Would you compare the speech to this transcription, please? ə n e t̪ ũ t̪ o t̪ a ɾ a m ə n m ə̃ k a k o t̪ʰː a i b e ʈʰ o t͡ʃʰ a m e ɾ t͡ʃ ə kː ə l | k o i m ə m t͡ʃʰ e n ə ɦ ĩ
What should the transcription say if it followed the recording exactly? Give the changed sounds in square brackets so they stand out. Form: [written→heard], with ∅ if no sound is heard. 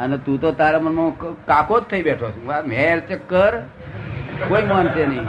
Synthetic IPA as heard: ə n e t̪ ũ t̪ o t̪ a ɾ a m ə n m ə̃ k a k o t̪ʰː [a→ə] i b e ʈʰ o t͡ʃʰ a m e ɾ t͡ʃ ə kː ə [l→ɾ] | k o i m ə [m→n] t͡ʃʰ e n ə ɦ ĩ